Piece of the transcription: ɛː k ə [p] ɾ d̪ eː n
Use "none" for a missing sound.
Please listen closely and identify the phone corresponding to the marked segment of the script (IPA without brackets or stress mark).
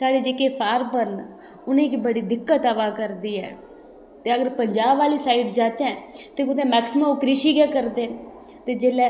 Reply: none